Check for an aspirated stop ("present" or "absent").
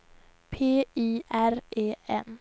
present